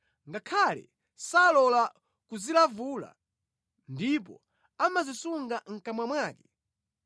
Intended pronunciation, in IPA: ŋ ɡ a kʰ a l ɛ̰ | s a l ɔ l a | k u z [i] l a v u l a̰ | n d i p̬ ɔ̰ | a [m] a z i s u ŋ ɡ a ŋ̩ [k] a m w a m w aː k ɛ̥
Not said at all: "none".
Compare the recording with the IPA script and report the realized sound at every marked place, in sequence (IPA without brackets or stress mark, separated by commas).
i, m, k